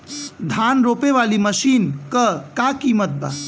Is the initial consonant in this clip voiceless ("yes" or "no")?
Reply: no